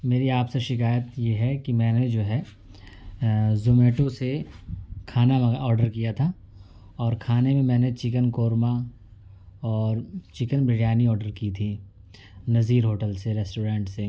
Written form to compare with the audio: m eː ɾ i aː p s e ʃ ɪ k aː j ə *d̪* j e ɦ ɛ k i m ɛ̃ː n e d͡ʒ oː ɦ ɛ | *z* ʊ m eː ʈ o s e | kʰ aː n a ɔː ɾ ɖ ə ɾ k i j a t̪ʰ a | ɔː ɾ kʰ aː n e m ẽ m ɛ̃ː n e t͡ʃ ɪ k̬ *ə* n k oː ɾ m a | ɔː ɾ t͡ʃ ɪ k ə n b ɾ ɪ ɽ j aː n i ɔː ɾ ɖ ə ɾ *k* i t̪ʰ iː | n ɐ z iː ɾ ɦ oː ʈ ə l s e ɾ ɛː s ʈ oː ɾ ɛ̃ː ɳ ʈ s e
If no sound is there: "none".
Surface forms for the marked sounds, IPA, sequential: t̪, z, ə, k

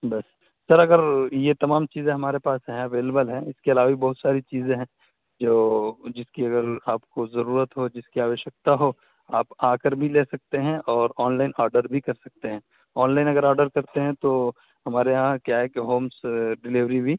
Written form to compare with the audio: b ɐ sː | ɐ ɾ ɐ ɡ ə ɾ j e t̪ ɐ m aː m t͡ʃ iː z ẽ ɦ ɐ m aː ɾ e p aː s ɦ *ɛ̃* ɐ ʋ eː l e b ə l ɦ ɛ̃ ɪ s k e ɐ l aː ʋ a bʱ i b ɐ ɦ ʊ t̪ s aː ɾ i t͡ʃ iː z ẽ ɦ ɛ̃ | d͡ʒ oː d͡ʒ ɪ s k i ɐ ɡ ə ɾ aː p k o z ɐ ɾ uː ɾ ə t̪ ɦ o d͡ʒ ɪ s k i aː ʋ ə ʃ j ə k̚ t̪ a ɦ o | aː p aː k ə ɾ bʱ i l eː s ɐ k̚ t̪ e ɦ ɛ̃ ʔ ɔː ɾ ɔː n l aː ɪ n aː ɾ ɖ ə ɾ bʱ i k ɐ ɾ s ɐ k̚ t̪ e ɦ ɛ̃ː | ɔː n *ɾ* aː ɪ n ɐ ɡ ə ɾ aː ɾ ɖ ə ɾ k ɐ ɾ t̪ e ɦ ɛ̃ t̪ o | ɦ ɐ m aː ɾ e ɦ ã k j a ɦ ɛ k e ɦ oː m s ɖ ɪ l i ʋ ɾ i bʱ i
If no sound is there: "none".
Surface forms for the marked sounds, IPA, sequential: ɛ̃, l

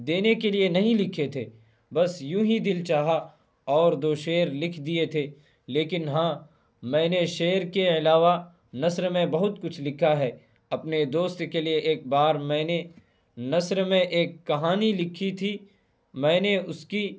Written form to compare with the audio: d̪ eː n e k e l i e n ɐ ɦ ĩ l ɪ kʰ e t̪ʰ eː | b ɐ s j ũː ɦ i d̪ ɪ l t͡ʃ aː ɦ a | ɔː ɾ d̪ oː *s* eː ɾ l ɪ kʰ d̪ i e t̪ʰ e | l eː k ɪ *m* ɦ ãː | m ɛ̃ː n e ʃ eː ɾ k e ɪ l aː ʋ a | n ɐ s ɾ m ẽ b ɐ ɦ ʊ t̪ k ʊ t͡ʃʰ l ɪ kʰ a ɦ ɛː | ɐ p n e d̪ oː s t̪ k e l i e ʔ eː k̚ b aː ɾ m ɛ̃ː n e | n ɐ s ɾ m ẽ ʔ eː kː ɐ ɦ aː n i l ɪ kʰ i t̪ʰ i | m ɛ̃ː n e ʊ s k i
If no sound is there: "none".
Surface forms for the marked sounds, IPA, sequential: ʃ, n

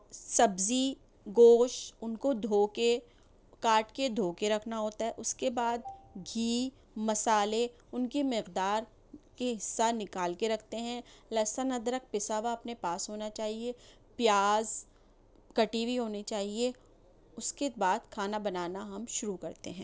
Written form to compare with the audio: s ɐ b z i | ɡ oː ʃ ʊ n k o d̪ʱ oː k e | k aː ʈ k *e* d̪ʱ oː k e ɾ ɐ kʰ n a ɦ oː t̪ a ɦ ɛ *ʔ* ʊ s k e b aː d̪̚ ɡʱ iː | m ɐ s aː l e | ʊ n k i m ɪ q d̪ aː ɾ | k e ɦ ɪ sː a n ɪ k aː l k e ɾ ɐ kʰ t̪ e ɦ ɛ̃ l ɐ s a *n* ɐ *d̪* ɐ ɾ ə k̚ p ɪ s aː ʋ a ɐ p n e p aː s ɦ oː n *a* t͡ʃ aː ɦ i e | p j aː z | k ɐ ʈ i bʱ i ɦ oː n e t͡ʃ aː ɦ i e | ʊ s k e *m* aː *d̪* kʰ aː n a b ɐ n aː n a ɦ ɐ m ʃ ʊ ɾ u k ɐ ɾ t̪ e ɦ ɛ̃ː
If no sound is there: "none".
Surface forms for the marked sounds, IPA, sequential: e, ʔ, n, d̪, a, b, d̪

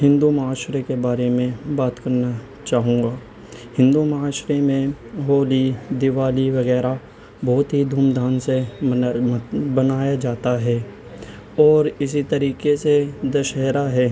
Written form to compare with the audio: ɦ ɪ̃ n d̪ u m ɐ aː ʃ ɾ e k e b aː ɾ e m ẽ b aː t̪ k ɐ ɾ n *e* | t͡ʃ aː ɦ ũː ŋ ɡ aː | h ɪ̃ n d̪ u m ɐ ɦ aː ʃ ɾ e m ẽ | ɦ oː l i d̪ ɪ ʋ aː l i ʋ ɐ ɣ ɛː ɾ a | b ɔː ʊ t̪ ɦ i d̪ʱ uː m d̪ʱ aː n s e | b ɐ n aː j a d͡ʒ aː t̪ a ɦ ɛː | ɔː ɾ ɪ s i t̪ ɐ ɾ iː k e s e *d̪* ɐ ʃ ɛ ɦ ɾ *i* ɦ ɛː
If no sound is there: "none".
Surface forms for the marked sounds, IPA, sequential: a, d̪, a

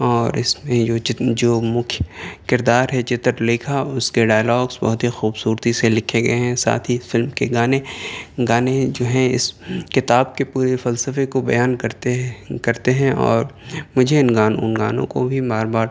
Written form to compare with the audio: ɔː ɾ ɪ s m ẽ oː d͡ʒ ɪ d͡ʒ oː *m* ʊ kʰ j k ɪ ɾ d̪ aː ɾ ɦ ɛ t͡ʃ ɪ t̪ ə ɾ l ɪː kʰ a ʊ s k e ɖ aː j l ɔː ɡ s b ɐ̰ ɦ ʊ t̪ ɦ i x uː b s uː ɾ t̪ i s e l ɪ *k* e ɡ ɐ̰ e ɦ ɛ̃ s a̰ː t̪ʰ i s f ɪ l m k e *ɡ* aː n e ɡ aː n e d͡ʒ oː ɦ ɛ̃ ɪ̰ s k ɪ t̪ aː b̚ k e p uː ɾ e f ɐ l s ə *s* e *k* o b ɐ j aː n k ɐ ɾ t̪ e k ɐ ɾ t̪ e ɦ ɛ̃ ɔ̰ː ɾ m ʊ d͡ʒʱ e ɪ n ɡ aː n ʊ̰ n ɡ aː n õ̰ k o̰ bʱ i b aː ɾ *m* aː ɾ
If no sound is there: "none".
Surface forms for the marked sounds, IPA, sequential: m, kʰ, ɡ, f, k, b

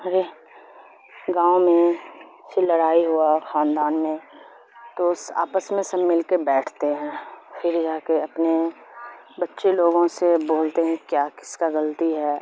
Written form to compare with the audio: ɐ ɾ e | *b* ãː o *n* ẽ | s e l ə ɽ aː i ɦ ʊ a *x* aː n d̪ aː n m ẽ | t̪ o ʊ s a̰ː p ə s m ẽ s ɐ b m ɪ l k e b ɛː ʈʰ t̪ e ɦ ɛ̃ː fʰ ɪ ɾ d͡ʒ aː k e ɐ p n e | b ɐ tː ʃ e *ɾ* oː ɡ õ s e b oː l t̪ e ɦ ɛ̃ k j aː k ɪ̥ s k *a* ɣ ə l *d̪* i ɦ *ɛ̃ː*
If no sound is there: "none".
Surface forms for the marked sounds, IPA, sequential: ɡ, m, x, l, a, t̪, ɛː

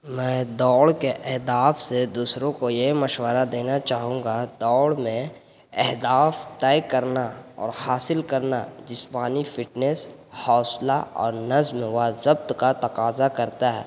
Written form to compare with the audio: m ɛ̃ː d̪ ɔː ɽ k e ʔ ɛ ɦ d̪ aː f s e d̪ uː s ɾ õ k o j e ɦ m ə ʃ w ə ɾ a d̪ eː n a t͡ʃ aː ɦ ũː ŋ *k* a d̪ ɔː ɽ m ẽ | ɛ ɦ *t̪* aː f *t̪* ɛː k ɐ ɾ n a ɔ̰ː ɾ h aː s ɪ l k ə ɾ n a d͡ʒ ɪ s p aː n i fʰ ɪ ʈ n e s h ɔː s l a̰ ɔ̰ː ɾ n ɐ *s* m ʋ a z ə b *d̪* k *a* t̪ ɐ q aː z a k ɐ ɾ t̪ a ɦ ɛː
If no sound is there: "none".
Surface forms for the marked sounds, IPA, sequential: ɡ, d̪, t̪, z, t̪, a

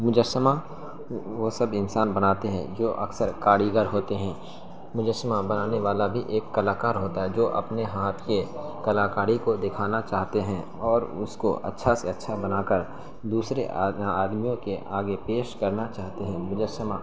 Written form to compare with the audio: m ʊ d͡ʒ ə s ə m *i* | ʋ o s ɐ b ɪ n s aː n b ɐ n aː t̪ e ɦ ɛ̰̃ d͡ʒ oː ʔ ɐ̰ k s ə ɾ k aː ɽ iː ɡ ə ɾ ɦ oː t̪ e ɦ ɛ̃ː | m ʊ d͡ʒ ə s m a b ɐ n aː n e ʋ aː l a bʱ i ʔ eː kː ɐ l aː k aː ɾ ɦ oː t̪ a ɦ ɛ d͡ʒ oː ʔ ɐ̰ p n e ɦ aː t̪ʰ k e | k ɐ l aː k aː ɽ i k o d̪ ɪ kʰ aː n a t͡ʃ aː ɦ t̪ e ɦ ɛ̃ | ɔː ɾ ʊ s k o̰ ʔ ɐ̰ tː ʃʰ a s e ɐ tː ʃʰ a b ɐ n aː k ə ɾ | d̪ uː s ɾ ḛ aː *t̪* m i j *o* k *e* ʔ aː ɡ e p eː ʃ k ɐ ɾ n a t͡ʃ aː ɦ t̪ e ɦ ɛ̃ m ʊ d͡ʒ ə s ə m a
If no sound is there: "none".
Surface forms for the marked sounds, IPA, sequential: a, d̪, õ, e

